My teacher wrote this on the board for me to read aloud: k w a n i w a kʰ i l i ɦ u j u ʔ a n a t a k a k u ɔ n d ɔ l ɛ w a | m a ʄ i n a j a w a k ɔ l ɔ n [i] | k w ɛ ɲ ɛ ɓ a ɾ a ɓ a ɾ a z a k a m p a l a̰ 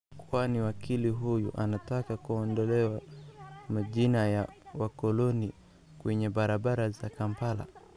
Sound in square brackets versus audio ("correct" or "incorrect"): correct